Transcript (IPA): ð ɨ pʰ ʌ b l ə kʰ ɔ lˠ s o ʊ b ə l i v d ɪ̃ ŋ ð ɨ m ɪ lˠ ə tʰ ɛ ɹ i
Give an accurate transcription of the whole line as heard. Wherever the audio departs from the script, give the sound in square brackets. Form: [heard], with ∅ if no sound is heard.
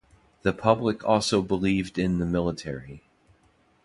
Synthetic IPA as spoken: ð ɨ pʰ ʌ b l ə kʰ ɔ lˠ s o ʊ b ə l i v d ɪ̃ [n] ð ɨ m ɪ lˠ ə tʰ ɛ ɹ i